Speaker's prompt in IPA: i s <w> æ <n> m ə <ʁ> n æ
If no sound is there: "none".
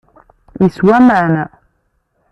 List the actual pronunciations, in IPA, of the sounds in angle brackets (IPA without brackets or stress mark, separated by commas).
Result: w, none, ʕ